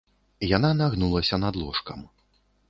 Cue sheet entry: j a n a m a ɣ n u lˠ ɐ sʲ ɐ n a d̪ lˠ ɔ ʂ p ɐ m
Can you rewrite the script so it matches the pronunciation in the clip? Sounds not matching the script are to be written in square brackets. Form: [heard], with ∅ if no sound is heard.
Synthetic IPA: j a n a [n] a ɣ n u lˠ ɐ sʲ ɐ n a d̪ lˠ ɔ ʂ [k] ɐ m